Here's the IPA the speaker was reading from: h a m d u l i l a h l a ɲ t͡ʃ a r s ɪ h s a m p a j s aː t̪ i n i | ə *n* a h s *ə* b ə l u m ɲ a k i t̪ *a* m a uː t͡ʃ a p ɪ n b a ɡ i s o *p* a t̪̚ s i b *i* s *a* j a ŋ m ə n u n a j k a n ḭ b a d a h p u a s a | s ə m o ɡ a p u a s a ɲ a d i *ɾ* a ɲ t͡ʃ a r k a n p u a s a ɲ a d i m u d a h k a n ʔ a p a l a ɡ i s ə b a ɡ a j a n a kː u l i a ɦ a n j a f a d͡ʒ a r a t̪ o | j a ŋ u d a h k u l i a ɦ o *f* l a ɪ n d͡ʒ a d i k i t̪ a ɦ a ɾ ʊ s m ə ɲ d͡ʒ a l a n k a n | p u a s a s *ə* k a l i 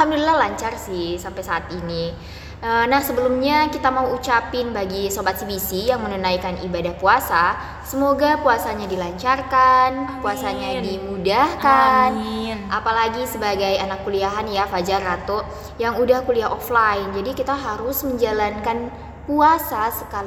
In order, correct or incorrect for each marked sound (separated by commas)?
correct, correct, correct, incorrect, correct, incorrect, incorrect, correct, correct